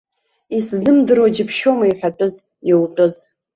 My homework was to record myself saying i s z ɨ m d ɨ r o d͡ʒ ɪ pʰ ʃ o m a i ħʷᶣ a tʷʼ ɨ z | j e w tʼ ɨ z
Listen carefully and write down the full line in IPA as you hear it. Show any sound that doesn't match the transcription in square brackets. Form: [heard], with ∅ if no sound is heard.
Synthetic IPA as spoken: i s z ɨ m d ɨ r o d͡ʒ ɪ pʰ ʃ o m a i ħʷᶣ a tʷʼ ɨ z | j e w tʼ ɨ z